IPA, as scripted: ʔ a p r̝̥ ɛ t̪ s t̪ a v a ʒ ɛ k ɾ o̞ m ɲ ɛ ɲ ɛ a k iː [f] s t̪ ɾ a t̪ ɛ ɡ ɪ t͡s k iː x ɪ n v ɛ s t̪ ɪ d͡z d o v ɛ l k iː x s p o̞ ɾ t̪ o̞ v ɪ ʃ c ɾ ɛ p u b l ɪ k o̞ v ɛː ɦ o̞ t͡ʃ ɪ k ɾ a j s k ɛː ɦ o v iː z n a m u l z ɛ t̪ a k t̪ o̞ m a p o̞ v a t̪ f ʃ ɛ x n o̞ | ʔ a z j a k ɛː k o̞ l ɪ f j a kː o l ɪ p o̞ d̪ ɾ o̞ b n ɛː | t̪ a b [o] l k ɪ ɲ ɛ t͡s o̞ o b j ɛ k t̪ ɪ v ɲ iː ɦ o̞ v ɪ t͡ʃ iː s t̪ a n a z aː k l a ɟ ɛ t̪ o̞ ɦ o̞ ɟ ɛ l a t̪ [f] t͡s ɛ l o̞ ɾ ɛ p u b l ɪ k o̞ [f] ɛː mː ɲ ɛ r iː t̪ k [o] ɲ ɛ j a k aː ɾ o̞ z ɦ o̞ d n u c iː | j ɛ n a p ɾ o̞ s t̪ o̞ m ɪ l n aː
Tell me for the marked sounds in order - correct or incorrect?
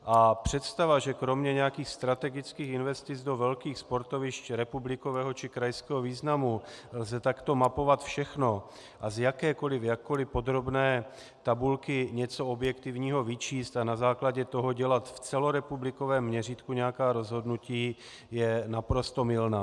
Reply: incorrect, incorrect, correct, incorrect, incorrect

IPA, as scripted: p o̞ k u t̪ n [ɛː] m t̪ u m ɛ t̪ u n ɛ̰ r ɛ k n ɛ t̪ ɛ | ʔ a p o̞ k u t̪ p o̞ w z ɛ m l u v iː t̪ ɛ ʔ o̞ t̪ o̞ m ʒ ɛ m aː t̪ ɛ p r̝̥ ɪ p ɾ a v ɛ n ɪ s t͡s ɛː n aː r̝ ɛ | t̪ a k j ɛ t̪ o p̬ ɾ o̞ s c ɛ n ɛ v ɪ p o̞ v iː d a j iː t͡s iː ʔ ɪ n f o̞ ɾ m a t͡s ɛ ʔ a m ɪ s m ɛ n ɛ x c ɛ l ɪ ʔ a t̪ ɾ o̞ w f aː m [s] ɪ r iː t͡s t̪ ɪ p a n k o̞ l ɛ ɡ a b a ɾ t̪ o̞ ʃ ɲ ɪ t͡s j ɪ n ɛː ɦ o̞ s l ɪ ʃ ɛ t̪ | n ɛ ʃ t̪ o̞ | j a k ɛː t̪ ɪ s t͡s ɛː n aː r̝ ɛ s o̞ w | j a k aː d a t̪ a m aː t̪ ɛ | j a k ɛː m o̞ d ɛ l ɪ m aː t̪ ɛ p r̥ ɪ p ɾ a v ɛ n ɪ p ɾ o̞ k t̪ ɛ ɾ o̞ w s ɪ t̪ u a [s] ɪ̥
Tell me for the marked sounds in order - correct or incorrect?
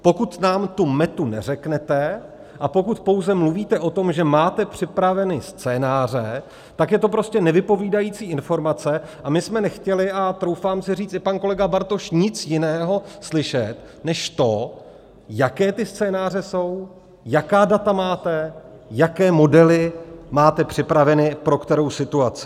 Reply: incorrect, correct, incorrect

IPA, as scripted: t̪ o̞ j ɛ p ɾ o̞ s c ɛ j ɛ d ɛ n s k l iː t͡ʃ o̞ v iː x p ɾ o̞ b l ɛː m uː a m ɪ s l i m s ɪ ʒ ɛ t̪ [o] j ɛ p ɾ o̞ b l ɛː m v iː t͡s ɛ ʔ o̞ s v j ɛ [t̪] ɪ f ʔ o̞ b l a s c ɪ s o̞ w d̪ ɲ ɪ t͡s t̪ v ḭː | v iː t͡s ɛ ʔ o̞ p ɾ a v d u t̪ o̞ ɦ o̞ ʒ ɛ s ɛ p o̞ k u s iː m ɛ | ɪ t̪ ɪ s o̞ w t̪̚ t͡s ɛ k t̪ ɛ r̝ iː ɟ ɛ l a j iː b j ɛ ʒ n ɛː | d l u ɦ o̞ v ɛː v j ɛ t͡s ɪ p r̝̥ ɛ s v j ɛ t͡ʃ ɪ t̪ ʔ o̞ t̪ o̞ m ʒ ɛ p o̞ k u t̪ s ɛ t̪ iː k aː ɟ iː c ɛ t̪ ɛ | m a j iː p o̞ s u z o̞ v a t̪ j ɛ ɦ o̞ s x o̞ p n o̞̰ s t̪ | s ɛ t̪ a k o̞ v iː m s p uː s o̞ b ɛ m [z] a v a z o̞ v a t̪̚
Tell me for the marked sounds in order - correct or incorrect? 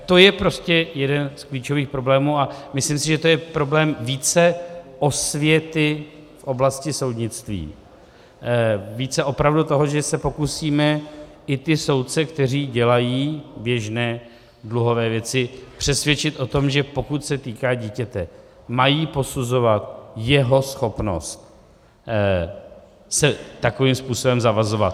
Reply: correct, correct, correct

